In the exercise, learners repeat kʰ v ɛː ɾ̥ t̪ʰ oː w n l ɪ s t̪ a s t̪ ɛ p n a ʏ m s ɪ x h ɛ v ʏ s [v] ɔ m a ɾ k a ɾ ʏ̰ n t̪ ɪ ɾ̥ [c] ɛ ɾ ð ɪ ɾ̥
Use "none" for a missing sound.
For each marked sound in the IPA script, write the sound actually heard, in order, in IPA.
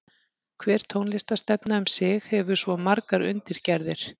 v, c

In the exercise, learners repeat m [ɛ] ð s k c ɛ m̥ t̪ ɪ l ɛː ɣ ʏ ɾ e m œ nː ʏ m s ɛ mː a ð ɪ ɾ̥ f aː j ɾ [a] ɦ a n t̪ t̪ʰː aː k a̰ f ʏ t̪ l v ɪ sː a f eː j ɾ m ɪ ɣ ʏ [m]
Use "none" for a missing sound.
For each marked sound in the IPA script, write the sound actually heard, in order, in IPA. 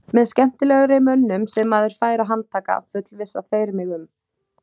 ɛ, a, m

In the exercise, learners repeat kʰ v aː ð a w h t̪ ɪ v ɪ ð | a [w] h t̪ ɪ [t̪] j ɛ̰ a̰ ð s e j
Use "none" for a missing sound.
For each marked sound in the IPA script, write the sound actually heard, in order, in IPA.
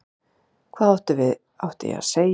w, none

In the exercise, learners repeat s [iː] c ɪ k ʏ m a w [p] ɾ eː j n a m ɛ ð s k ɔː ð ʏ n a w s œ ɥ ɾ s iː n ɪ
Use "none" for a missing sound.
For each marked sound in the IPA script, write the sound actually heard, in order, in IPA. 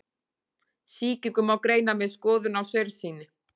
iː, k

